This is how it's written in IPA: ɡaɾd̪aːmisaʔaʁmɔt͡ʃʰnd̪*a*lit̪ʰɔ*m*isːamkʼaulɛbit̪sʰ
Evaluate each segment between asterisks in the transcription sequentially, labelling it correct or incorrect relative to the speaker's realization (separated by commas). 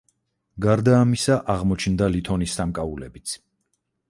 correct, incorrect